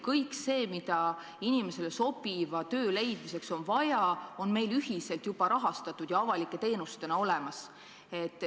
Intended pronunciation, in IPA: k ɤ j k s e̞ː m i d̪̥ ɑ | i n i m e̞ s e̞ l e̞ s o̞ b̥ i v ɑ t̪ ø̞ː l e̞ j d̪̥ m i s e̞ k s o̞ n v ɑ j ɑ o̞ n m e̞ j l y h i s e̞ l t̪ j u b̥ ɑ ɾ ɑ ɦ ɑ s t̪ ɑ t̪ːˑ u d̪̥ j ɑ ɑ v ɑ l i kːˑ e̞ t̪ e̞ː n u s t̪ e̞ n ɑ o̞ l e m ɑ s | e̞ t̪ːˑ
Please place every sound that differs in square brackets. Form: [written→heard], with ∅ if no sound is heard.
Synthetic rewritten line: k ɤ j k s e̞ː m i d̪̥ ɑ | i n i m e̞ s e̞ l e̞ s o̞ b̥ i v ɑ t̪ ø̞ː l e̞ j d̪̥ m i s e̞ k s o̞ n v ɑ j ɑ o̞ n m e̞ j l y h i s e̞ l t̪ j u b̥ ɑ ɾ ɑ ɦ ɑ s t̪ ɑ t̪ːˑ u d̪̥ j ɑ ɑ v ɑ l i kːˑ e̞ t̪ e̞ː n u s t̪ e̞ n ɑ o̞ l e m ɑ s | e̞ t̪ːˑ